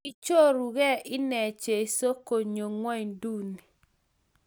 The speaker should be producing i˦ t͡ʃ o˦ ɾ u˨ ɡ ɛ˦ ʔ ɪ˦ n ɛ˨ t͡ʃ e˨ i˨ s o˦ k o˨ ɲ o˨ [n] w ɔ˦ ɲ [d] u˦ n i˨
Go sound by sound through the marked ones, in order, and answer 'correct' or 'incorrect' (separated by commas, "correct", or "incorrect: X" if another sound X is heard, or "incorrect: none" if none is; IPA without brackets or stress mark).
incorrect: ŋ, correct